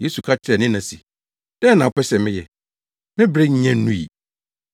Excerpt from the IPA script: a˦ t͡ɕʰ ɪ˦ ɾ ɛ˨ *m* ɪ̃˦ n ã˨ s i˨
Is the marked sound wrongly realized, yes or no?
yes